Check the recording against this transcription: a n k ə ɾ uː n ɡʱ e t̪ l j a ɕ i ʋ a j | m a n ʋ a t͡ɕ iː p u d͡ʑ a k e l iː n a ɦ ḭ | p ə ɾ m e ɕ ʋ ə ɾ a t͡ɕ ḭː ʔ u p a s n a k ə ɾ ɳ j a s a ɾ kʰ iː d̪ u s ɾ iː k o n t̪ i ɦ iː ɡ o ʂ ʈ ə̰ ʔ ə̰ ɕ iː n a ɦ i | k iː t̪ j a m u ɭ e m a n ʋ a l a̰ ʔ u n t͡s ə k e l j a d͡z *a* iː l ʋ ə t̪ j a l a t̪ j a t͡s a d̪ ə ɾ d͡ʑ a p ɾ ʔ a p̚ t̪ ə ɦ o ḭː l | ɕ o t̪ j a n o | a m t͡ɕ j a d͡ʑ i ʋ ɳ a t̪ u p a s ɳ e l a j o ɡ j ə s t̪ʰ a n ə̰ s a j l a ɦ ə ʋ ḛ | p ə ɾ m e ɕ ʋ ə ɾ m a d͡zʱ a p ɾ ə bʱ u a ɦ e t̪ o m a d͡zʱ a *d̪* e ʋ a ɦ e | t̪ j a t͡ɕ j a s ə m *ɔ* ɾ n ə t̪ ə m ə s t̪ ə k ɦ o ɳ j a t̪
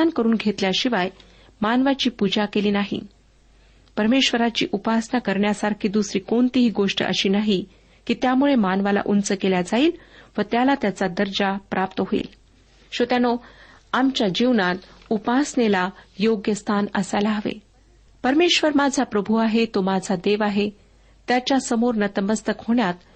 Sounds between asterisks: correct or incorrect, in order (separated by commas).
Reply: correct, correct, incorrect